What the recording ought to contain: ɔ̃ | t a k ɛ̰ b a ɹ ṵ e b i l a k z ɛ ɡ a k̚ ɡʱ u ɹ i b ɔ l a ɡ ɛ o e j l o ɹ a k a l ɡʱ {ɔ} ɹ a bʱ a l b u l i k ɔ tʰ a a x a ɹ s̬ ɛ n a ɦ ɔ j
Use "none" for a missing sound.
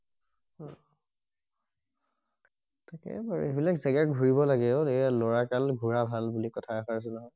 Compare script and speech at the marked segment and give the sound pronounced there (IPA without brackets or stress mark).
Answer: u